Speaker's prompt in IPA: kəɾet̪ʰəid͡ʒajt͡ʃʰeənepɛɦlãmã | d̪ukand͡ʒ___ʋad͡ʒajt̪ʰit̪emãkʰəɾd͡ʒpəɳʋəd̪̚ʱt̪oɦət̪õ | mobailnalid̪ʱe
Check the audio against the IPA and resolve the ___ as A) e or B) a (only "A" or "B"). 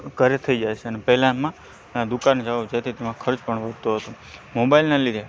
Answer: B